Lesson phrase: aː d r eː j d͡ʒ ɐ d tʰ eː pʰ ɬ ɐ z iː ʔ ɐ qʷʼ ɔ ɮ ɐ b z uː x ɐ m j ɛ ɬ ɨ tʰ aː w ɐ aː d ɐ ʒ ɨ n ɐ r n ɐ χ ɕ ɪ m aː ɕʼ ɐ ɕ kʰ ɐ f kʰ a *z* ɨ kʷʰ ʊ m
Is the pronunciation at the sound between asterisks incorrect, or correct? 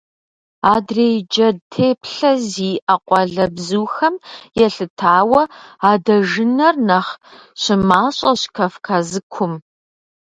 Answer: correct